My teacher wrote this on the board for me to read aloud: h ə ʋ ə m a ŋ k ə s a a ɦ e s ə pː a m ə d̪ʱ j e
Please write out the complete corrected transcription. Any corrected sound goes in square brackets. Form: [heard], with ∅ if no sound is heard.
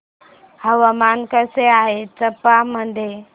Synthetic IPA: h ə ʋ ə m a [n] k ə s [e] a ɦ e [t͡s] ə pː a m ə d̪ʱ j e